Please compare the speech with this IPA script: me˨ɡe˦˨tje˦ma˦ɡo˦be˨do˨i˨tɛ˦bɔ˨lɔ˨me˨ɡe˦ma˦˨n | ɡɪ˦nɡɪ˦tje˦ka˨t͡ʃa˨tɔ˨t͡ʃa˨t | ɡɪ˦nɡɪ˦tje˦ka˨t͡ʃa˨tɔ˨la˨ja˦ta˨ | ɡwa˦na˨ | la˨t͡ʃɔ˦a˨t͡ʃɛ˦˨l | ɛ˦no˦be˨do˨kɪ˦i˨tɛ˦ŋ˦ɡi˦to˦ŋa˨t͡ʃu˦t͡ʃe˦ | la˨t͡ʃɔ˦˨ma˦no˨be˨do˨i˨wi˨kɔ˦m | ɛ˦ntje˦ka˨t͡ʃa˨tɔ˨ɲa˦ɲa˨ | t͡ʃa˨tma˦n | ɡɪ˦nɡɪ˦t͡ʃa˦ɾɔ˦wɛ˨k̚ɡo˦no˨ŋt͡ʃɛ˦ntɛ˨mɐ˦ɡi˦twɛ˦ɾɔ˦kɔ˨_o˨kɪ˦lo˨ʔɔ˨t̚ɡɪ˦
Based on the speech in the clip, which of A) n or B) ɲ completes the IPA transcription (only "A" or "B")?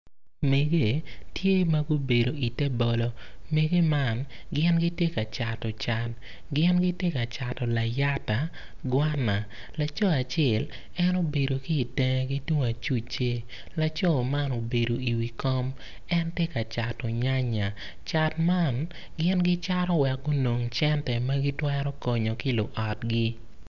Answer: B